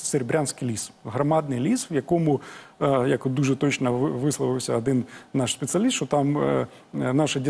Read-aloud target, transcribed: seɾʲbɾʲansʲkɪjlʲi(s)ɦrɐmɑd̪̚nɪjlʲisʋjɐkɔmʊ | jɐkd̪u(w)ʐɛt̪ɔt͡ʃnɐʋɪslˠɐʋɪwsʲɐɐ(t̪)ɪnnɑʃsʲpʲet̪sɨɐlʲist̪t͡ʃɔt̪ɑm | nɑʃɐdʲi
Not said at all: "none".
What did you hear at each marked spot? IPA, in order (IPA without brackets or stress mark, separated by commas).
s, none, d̪